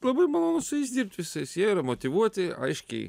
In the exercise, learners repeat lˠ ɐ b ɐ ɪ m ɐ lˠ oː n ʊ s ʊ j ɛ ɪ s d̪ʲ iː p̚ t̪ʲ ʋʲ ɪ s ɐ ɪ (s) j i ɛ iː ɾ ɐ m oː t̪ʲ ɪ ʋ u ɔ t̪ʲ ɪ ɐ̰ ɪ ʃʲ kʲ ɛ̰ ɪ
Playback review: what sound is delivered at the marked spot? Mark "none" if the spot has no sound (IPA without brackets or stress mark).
s